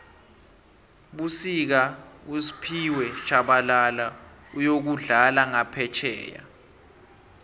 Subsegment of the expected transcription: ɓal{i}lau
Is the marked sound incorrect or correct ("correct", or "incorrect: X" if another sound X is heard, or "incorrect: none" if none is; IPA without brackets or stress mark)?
incorrect: a